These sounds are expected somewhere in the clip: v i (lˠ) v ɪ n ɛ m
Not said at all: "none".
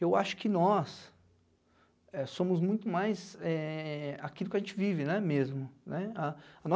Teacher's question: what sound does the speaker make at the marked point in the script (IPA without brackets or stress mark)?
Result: none